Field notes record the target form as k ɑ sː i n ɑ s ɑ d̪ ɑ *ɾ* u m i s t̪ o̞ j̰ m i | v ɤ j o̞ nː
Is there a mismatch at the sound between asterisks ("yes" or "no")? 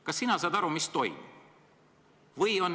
no